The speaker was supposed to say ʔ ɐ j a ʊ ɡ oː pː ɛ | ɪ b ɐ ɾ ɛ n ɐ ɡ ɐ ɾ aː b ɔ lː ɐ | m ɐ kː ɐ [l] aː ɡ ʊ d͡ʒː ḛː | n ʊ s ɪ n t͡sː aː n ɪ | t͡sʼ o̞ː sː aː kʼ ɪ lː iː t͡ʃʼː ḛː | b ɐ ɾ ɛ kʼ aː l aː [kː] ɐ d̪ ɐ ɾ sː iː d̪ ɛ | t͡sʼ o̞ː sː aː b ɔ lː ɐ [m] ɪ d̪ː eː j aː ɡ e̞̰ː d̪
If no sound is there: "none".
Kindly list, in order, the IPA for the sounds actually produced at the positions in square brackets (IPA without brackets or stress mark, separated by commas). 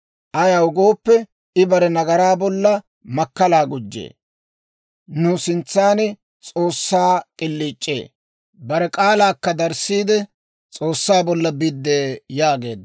l, kː, b